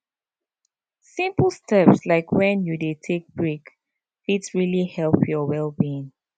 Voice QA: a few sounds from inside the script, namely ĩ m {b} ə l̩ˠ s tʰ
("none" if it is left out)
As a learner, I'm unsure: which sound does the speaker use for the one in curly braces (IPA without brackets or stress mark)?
p